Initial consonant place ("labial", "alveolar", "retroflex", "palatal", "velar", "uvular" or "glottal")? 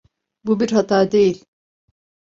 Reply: labial